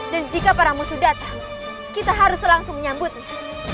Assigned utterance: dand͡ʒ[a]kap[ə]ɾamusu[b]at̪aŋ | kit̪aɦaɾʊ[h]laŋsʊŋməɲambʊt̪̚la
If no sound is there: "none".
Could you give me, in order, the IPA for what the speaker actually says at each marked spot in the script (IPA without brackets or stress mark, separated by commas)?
i, a, d, s